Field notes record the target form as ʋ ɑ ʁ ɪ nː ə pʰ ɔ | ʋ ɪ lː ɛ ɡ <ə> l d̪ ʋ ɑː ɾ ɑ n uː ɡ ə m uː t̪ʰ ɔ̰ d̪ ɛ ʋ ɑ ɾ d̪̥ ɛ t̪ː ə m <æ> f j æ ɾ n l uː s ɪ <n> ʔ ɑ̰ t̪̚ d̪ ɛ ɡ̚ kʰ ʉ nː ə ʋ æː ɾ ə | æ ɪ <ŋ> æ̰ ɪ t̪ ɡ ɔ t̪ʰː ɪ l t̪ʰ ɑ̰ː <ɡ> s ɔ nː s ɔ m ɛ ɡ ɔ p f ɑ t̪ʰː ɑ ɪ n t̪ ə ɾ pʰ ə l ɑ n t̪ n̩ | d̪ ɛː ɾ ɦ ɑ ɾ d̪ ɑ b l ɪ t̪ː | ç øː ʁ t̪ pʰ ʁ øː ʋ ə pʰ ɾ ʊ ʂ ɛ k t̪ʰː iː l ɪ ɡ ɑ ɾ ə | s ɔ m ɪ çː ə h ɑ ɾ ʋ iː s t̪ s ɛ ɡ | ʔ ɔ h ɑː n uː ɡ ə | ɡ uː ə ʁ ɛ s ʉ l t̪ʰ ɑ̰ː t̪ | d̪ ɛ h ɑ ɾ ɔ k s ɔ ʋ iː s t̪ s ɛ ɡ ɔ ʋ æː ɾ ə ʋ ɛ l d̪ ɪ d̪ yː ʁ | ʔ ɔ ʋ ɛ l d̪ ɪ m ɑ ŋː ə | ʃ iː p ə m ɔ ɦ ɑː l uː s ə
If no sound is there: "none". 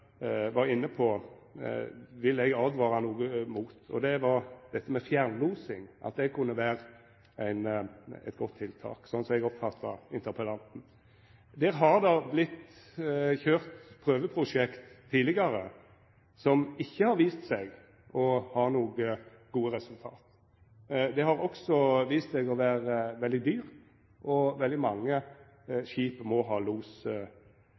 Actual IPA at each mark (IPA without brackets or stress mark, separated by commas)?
ɑ, ɛ, ŋ, n, k